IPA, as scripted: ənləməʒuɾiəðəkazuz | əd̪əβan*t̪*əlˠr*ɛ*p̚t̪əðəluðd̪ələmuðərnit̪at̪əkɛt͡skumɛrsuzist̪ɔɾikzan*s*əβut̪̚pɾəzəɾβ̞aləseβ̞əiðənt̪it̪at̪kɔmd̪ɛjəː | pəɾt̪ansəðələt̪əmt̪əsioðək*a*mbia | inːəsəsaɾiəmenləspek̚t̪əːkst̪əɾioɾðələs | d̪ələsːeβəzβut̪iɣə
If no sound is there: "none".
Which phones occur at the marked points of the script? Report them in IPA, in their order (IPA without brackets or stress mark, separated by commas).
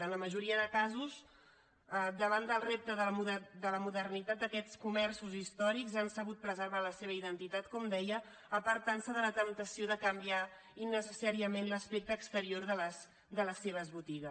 d̪, e, s, ə